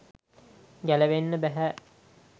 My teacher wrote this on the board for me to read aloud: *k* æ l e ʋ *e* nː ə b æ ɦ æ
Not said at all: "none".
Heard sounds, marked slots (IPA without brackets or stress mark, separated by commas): ɡ, e